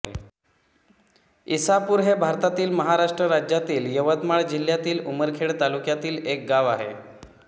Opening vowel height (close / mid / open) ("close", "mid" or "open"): close